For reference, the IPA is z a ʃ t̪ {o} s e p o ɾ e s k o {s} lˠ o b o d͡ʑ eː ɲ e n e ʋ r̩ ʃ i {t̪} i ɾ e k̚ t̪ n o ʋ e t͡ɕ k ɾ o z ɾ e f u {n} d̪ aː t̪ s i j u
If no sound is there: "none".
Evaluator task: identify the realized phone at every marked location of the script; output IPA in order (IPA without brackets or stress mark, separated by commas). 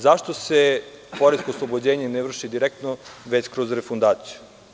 o, s, d̪, n